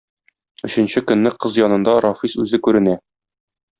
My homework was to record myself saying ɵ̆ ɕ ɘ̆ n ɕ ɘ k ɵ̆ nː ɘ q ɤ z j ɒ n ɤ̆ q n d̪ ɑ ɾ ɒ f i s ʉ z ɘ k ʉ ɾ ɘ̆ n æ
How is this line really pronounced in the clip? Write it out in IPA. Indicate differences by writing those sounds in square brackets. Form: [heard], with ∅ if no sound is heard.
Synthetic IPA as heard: ɵ̆ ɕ ɘ̆ n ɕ ɘ k ɵ̆ nː ɘ q ɤ z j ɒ n ɤ̆ [∅] n d̪ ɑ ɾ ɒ f i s ʉ z ɘ k ʉ ɾ ɘ̆ n æ

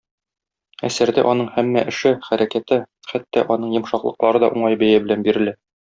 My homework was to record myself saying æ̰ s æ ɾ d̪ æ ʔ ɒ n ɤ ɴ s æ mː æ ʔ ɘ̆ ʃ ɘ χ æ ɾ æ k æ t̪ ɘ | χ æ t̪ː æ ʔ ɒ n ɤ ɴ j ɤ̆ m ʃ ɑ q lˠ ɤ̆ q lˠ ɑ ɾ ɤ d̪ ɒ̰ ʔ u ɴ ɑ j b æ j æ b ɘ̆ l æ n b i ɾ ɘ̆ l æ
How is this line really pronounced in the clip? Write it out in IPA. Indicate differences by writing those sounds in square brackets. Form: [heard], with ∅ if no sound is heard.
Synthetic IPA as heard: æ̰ s æ ɾ d̪ æ ʔ ɒ n ɤ ɴ [h] æ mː æ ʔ ɘ̆ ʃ ɘ χ æ ɾ æ k æ t̪ ɘ | χ æ t̪ː æ ʔ ɒ n ɤ ɴ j ɤ̆ m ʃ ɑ q lˠ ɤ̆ q lˠ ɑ ɾ ɤ d̪ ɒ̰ ʔ u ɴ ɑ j b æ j æ b ɘ̆ l æ n b i ɾ ɘ̆ l æ

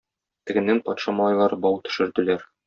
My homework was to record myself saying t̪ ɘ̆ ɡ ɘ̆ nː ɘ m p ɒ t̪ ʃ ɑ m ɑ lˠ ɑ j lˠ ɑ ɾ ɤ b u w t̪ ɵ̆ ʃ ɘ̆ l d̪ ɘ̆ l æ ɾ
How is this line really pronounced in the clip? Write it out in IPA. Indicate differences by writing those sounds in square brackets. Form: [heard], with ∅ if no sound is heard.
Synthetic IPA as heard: t̪ ɘ̆ ɡ ɘ̆ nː ɘ [ŋ] p ɒ t̪ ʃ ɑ m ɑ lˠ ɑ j lˠ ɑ ɾ ɤ b [ɒ] w t̪ ɵ̆ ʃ ɘ̆ [ɾ] d̪ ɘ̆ l æ ɾ

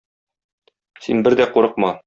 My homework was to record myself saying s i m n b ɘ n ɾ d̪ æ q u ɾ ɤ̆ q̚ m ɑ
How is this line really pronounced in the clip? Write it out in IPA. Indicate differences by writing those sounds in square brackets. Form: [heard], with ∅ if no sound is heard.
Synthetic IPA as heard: s i [∅] n b ɘ [∅] ɾ d̪ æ q u ɾ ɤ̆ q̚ m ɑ

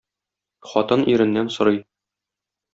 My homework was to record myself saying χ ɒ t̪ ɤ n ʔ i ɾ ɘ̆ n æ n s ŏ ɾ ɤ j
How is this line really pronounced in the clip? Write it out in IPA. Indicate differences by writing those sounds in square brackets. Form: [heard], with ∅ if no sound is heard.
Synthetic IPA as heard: χ ɒ t̪ ɤ n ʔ i ɾ ɘ̆ [nː] æ n s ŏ ɾ ɤ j

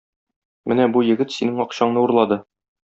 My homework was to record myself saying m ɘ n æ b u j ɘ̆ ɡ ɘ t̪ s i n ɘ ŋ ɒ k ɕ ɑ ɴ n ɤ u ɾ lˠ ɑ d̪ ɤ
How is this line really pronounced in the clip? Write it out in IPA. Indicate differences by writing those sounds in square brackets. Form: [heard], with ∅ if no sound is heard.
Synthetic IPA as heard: m ɘ n æ b u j ɘ̆ ɡ ɘ t̪ s i n ɘ ŋ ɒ [q] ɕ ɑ ɴ n ɤ u ɾ lˠ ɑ d̪ ɤ

